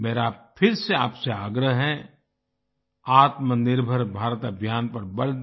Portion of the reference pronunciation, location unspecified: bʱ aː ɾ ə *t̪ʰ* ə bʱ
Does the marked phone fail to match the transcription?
yes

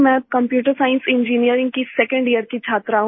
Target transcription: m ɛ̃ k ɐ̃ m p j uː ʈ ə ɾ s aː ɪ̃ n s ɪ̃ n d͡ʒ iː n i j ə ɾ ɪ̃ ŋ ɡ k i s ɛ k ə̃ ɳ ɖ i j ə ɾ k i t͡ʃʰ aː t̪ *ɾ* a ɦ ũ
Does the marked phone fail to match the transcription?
no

